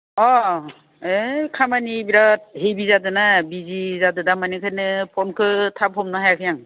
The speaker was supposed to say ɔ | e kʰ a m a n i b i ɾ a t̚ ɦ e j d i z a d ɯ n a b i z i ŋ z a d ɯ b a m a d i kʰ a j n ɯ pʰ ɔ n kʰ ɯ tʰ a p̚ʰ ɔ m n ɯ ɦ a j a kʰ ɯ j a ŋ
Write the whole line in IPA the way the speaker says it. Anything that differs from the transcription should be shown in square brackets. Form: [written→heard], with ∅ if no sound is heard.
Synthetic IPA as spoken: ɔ | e kʰ a m a n i b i ɾ a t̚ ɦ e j [d→b] i z a d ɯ n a b i z i [ŋ→∅] z a d ɯ [b→d] a m a [d→n] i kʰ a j n ɯ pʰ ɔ n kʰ ɯ tʰ a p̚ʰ ɔ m n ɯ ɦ a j a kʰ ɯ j a ŋ